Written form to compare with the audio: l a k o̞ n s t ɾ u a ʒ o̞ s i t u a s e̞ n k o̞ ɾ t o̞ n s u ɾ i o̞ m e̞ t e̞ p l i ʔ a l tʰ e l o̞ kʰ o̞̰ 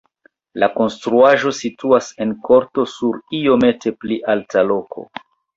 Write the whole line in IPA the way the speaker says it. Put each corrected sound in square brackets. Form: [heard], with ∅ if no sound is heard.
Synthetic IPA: l a k o̞ n s t ɾ u a ʒ o̞ s i t u a s e̞ n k o̞ ɾ t o̞ [∅] s u ɾ i o̞ m e̞ t e̞ p l i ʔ a l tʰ [a] l o̞ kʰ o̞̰